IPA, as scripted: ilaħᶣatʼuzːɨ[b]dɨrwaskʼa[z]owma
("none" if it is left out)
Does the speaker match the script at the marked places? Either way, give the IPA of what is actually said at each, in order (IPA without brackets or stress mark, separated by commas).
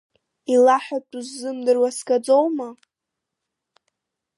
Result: m, d͡z